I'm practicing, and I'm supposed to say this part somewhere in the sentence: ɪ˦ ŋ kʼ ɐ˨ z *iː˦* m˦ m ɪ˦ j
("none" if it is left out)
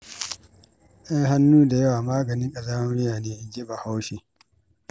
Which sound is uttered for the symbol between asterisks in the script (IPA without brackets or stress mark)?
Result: aː˦